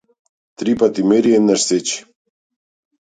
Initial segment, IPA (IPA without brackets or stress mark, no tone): t̪